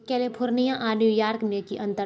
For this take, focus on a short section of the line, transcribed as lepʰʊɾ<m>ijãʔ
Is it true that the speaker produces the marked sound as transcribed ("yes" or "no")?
no